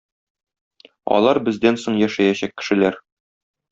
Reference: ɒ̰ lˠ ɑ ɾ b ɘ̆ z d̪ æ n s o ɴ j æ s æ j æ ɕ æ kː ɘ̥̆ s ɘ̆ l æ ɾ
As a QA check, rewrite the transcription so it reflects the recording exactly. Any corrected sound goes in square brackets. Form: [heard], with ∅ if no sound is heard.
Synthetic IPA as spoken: ɒ̰ lˠ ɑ ɾ b ɘ̆ z d̪ æ n s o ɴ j æ [ʃ] æ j æ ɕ æ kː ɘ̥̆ [ʃ] ɘ̆ l æ ɾ